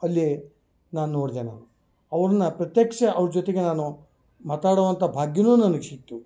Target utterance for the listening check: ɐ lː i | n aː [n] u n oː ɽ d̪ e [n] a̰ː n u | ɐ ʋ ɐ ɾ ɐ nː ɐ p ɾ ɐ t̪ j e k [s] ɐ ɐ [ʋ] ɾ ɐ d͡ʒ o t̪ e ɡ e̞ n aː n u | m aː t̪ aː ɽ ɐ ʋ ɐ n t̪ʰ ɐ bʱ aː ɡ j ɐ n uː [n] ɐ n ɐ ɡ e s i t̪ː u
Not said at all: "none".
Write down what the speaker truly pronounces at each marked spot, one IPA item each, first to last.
n, n, ʂ, ʋ, n

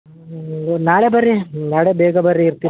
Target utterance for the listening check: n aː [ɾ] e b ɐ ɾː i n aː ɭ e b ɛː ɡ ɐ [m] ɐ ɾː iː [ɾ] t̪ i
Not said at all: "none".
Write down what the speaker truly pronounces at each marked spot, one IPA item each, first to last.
ɭ, b, ɾ

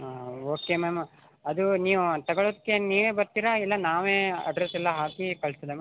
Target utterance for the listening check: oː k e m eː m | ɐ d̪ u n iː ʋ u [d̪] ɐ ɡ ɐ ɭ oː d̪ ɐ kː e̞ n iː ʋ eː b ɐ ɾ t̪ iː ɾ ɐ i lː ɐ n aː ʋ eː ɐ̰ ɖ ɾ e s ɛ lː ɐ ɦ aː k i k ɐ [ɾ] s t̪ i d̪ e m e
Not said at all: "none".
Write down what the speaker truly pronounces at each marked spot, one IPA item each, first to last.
t̪, ɭ

